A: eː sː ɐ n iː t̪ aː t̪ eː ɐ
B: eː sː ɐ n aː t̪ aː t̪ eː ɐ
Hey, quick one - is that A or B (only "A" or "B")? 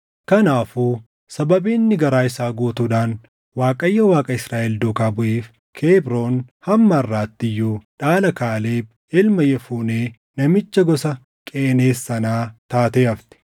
B